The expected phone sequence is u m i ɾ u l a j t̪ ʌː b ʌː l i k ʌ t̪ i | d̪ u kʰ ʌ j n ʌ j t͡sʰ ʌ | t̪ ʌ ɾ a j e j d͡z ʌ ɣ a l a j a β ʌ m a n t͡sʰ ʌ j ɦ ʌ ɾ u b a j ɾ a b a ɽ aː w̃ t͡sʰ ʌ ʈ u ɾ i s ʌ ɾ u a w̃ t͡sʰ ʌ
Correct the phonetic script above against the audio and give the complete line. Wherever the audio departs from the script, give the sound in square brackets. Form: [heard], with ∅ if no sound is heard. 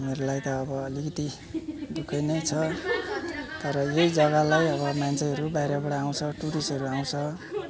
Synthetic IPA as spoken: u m [e] ɾ u l a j t̪ ʌː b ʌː l i k ʌ t̪ i | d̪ u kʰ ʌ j n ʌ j t͡sʰ ʌ | t̪ ʌ ɾ [ʌ] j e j d͡z ʌ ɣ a l a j [ʌ] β ʌ m a n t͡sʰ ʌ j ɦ ʌ ɾ u b a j ɾ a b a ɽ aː w̃ t͡sʰ ʌ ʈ u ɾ i s ʌ ɾ u a w̃ t͡sʰ ʌ